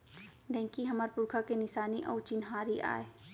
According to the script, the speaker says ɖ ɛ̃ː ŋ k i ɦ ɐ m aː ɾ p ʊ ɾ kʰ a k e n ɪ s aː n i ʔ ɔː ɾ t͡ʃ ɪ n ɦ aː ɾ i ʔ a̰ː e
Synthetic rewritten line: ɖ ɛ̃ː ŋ k i ɦ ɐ m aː ɾ p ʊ ɾ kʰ a k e n ɪ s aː n i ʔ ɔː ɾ t͡ʃ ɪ n ɦ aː ɾ i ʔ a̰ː e